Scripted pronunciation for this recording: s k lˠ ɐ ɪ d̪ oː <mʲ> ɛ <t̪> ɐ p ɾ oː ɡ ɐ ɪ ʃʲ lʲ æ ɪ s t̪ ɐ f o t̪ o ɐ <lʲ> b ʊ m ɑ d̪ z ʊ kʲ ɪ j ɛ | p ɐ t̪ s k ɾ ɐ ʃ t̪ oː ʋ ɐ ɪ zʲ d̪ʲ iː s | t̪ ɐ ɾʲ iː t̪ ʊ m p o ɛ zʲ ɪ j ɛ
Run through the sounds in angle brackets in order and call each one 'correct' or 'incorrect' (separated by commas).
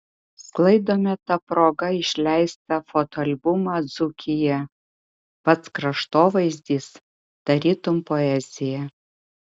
correct, correct, correct